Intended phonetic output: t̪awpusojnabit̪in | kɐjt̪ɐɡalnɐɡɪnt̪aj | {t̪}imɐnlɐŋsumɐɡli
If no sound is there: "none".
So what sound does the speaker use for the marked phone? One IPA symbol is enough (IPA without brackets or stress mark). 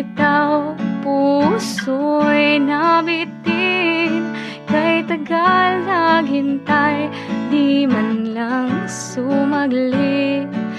d̪